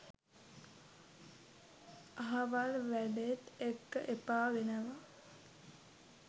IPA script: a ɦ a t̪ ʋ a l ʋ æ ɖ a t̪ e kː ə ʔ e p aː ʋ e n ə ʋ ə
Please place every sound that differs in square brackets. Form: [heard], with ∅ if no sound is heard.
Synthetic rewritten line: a ɦ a [∅] ʋ a l ʋ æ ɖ [e] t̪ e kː ə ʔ e p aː ʋ e n ə ʋ [a]